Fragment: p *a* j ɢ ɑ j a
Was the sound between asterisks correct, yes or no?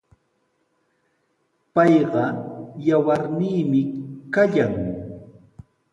no